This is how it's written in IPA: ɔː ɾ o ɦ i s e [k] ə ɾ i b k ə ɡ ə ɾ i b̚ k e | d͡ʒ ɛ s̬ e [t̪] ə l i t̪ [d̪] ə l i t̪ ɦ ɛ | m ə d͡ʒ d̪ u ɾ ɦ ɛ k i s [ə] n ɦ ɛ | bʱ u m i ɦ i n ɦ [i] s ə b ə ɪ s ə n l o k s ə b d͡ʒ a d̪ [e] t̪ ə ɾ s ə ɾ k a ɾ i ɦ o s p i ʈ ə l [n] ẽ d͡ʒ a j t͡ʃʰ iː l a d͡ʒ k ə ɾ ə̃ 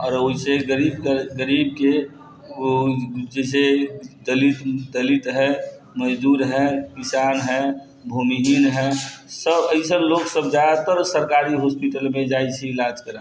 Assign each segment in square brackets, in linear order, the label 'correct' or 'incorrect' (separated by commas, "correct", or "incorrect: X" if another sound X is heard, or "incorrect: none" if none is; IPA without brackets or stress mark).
incorrect: ɡ, incorrect: d̪, correct, incorrect: a, incorrect: ɛ, incorrect: a, incorrect: m